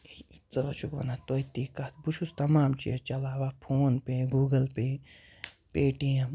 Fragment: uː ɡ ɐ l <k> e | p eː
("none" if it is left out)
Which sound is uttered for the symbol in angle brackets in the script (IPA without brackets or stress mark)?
p